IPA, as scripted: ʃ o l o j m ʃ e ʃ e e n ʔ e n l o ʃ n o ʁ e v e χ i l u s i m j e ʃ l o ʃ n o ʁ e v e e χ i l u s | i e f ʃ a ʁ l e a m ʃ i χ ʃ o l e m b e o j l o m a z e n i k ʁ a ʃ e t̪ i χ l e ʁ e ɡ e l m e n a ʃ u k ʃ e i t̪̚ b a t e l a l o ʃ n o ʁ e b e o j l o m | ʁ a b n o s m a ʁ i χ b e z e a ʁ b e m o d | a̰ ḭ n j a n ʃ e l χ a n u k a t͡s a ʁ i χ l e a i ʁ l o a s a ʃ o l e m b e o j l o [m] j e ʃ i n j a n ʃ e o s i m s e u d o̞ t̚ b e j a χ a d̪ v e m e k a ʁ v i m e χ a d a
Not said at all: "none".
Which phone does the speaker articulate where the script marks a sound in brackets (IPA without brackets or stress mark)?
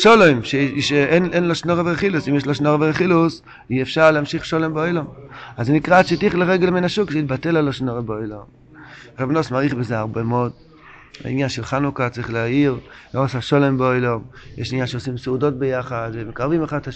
m